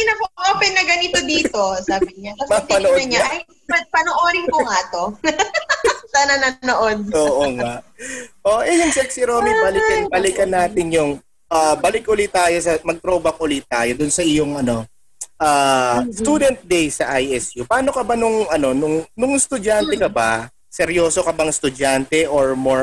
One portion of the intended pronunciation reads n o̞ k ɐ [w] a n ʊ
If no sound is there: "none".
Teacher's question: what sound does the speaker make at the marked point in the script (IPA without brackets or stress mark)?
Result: b